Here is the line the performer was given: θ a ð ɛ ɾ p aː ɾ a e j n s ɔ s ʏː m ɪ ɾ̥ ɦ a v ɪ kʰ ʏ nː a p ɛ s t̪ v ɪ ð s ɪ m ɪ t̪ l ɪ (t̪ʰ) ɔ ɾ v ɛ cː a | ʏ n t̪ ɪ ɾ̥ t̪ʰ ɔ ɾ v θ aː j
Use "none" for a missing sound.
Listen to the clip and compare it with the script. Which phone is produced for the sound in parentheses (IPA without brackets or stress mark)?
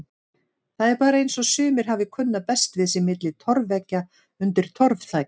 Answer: t̪ʰ